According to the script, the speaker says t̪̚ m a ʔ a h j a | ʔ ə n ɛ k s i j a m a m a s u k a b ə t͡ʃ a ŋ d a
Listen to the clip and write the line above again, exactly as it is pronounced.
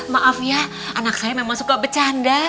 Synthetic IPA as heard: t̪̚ m a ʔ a f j a | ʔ a n a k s a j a m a m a s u k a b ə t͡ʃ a n d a